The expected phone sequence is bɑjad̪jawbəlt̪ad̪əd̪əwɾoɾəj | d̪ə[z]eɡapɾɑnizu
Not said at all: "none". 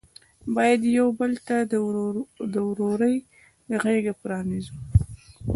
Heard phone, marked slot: ɣ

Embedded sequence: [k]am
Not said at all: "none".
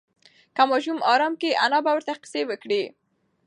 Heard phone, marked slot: k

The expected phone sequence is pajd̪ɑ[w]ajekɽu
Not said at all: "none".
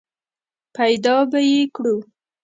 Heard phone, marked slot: b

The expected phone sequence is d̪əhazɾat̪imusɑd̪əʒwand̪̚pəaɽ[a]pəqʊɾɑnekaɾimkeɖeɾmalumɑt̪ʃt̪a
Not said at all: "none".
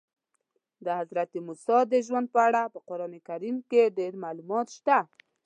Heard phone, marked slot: a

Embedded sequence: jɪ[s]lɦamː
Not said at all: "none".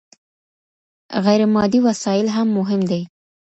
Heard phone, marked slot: none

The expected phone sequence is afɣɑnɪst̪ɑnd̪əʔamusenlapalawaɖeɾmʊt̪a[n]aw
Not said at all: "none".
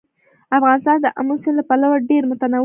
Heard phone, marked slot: n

